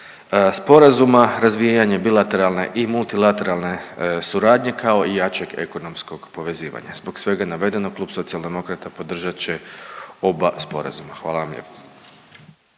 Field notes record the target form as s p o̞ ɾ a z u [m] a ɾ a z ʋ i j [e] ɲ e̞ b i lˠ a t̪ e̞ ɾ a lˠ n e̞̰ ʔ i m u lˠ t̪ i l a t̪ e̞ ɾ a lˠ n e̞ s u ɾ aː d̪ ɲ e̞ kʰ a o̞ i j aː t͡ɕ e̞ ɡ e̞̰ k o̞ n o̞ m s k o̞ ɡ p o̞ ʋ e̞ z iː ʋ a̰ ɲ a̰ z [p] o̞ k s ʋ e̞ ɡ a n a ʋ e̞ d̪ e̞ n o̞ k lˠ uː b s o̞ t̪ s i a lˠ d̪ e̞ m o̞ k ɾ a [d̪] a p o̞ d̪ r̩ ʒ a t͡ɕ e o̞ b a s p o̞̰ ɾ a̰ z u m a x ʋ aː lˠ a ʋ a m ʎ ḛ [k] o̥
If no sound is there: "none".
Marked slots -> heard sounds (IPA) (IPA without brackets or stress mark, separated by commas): m, a, b, t̪, p